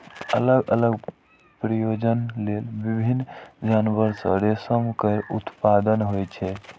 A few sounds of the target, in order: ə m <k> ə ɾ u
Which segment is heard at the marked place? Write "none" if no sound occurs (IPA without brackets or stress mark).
k